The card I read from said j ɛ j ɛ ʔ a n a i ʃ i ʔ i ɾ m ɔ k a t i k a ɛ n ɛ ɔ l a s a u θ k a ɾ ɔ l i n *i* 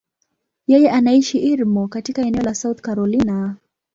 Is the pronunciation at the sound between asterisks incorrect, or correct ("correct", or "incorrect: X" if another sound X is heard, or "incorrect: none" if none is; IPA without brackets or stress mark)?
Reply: incorrect: a